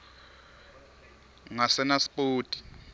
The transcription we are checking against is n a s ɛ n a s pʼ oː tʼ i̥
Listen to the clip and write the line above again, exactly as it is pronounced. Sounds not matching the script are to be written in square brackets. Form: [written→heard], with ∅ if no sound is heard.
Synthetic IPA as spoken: [n→ŋ] a s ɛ n a s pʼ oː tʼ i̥